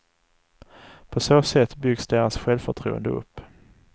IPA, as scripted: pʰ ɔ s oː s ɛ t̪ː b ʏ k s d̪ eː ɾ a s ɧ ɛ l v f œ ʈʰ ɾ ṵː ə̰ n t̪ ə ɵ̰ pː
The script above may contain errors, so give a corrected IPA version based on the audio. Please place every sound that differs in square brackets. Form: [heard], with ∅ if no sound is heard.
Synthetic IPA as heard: pʰ ɔ s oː s ɛ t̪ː b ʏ [ɡ] s d̪ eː ɾ a s ɧ ɛ l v f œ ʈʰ ɾ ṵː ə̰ n [d̪] ə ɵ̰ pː